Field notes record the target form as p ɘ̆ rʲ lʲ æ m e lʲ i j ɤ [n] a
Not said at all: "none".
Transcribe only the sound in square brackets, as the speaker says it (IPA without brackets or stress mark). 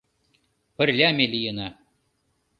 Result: n